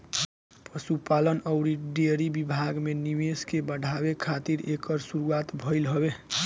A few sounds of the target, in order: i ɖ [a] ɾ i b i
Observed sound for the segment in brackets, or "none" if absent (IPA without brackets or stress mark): e